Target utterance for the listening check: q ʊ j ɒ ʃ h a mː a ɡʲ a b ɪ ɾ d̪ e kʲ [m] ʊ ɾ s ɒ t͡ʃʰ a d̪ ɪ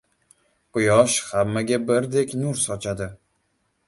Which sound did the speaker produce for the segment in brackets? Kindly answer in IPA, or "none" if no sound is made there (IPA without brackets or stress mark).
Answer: n